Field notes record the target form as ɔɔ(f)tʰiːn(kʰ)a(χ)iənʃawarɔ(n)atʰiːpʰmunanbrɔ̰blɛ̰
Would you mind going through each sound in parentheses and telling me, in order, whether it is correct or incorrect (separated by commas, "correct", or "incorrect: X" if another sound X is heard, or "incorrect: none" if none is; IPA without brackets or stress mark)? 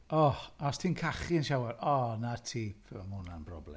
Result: incorrect: s, correct, correct, correct